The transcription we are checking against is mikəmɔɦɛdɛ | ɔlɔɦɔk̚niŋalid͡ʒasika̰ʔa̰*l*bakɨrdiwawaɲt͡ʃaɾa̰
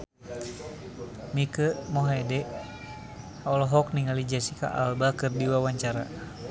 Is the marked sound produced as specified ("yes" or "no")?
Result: yes